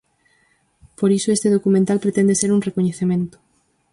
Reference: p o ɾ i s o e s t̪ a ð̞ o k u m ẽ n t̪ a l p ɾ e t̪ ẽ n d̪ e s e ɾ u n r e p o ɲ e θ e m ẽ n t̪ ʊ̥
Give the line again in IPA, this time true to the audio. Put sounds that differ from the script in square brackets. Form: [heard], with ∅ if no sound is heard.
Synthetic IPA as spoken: p o ɾ i s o e s t̪ [e] ð̞ o k u m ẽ n t̪ a l p ɾ e t̪ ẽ n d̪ e s e ɾ u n r e [k] o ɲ e θ e m ẽ n t̪ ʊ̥